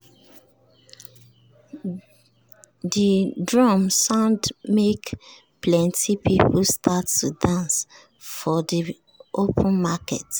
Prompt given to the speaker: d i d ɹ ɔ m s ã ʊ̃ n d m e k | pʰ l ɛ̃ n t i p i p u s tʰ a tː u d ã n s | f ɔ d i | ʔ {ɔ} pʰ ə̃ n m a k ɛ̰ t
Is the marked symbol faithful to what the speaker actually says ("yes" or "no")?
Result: no